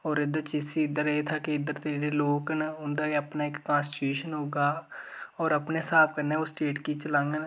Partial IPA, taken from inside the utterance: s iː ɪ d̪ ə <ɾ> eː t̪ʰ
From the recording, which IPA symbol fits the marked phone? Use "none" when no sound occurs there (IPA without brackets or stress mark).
ɾ